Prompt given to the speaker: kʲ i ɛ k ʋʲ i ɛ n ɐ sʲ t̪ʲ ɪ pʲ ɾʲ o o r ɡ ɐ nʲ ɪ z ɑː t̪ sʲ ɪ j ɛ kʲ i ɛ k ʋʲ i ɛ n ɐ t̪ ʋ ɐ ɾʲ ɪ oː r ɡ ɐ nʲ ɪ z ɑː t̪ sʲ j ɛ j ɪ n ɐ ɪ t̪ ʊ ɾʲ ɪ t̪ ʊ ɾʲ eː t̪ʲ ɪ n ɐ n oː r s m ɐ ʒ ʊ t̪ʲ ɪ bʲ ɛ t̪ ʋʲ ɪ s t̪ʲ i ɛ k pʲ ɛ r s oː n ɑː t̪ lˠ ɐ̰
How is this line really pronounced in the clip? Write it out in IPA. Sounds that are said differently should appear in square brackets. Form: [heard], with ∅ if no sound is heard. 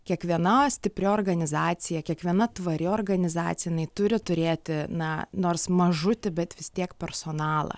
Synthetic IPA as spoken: kʲ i ɛ k ʋʲ i ɛ n ɐ sʲ t̪ʲ ɪ pʲ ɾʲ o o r ɡ ɐ nʲ ɪ z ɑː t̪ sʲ ɪ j ɛ kʲ i ɛ k ʋʲ i ɛ n ɐ t̪ ʋ ɐ ɾʲ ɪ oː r ɡ ɐ nʲ ɪ z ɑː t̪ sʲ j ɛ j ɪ n ɐ ɪ t̪ ʊ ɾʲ ɪ t̪ ʊ ɾʲ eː t̪ʲ ɪ n ɐ n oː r s m ɐ ʒ ʊ t̪ʲ ɪ bʲ ɛ t̪ ʋʲ ɪ s t̪ʲ i ɛ k pʲ ɛ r s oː n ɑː [∅] lˠ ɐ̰